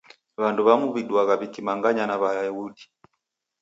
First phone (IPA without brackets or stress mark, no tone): β